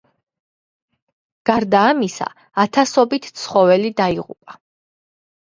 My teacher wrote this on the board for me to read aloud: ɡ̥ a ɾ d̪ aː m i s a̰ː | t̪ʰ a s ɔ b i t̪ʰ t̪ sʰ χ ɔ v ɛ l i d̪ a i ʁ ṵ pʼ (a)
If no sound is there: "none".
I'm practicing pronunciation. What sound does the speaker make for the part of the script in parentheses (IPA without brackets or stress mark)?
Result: a